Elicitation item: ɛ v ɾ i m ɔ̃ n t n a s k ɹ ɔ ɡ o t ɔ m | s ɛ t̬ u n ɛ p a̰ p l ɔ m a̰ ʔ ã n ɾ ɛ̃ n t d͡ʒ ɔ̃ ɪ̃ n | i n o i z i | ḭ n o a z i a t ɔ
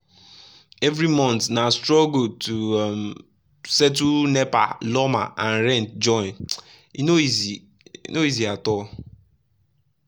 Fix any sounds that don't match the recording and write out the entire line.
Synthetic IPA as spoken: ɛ v ɾ i m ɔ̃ n t n a s t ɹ ɔ ɡ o t u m | s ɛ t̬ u n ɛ p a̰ l ɔ m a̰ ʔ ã n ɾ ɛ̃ n t d͡ʒ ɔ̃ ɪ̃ n | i n o i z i | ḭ n o i z i a t ɔ

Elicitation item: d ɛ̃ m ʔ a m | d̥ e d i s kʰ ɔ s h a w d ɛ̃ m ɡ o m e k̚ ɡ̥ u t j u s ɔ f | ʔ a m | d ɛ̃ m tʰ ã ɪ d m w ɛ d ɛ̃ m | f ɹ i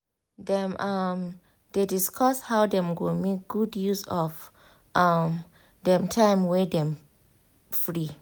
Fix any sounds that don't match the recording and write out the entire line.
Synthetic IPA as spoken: d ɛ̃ m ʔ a m | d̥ e d i s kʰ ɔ s h a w d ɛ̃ m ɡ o m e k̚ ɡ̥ u d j u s ɔ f | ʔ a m | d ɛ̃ m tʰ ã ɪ m w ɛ d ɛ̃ m | f ɹ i

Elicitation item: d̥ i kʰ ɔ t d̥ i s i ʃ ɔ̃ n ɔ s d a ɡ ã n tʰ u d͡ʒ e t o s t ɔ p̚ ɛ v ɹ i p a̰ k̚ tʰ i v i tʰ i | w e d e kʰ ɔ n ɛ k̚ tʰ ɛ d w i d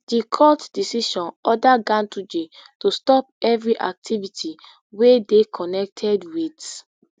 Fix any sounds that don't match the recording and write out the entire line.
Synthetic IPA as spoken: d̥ i kʰ ɔ t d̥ i s i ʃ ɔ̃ n ɔ d a ɡ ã n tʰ u d͡ʒ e t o s t ɔ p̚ ɛ v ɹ i ʔ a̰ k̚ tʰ i v i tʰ i | w e d e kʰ ɔ n ɛ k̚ tʰ ɛ d w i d

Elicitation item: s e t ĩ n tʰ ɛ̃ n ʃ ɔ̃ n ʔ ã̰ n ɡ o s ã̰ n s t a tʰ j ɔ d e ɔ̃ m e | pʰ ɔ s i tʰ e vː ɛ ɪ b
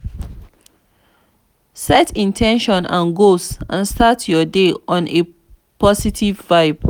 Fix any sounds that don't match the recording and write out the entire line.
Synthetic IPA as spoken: s ɛ t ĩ n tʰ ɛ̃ n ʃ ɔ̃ n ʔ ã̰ n ɡ o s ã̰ n s t a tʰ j ɔ d e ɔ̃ n e | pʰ ɔ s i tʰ i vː a ɪ b

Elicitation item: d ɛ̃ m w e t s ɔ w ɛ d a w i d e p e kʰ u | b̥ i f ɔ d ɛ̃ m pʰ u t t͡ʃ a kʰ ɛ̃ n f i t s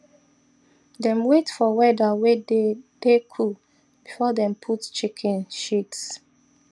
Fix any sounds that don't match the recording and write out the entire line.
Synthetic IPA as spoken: d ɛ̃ m w e t f ɔ w ɛ d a w e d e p e kʰ u | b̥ i f ɔ d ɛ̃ m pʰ u t t͡ʃ i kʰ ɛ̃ n ʃ i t s

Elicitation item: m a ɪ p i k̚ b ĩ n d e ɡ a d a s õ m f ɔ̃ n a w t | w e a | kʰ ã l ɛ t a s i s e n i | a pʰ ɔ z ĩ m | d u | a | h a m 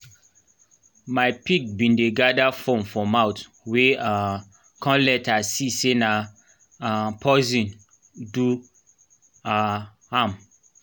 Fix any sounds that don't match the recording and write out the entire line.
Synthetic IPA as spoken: m a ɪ p i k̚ b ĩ n d e ɡ a d a f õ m f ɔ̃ m a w t | w e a | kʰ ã l ɛ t a s i s e n a | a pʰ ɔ z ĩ n | d u | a | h a m

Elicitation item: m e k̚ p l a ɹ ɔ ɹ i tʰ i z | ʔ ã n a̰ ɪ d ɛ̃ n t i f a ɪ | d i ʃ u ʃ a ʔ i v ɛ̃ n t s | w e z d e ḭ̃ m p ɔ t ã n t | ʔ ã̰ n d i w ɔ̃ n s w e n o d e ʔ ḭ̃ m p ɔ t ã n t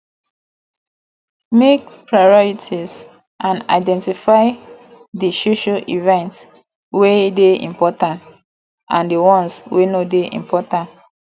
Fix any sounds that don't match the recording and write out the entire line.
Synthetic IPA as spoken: m e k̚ p ɹ a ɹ ɔ ɹ i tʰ i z | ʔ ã n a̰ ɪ d ɛ̃ n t i f a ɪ | d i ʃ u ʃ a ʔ i v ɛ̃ n t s | w e d e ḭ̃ m p ɔ t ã n t | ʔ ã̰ n d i w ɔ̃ n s w e n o d e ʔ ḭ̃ m p ɔ t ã n t

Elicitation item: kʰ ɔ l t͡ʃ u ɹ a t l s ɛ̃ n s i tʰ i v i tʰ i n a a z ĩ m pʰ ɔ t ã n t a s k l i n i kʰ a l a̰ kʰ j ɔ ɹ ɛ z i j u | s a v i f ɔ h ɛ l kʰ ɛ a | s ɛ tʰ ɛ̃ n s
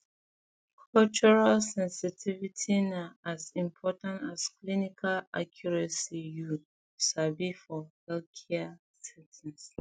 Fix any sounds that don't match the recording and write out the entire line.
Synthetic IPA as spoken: kʰ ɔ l t͡ʃ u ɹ a l s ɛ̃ n s i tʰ i v i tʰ i n a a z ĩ m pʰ ɔ t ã n t a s k l i n i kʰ a l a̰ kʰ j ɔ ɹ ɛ s i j u | s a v i f ɔ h ɛ l kʰ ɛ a | s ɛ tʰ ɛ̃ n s

